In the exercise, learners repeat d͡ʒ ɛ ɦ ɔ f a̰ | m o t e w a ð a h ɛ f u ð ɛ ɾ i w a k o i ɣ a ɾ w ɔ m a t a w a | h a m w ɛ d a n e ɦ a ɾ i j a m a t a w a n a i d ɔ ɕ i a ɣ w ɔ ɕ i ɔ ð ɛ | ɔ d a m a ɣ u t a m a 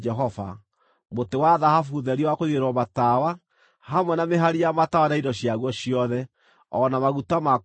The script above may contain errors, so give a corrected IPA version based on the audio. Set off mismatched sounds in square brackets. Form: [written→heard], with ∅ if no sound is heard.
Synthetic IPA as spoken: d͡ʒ ɛ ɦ ɔ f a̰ | m o t e w a ð a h [ɛ→a] f u ð ɛ ɾ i w a k o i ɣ [a→e] ɾ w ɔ m a t a w a | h a m w ɛ [d→n] a [n→m] e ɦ a ɾ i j a m a t a w a n a i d ɔ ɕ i a ɣ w ɔ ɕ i ɔ ð ɛ | ɔ [d→n] a m a ɣ u t a m a

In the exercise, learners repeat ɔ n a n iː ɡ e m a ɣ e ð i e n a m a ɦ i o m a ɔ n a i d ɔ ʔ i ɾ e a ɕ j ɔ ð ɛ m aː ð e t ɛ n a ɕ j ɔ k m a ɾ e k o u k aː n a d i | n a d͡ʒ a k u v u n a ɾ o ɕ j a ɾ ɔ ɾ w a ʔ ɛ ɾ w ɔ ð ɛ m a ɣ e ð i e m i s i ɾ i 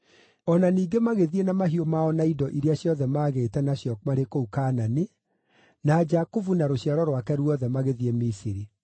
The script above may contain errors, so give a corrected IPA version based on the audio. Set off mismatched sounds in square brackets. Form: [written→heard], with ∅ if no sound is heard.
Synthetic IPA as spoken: ɔ n a n iː ɡ e m a ɣ e ð i e n a m a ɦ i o m a ɔ n a i d ɔ ʔ i ɾ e a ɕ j ɔ ð ɛ m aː [ð→ɣ] e t ɛ n a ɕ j ɔ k m a ɾ e k o u k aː n a [d→n] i | n a d͡ʒ a k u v u n a ɾ o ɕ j a ɾ ɔ ɾ w a [ʔ→k] ɛ ɾ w ɔ ð ɛ m a ɣ e ð i e m i s i ɾ i

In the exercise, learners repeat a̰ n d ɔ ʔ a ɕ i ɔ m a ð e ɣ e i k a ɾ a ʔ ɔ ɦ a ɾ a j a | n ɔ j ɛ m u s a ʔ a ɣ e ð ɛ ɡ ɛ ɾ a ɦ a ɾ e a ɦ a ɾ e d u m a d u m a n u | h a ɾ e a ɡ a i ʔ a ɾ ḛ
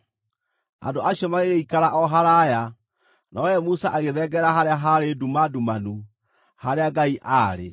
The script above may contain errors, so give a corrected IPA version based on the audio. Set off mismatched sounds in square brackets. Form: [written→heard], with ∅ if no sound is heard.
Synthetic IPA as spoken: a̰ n d [ɔ→o] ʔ a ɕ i ɔ m a [ð→ɣ] e ɣ e i k a ɾ a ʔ ɔ ɦ a ɾ a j a | n ɔ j ɛ m u s a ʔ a ɣ e ð ɛ ɡ ɛ ɾ a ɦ a ɾ e a ɦ a ɾ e d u m a d u m a n u | h a ɾ e a ɡ a i ʔ a ɾ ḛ

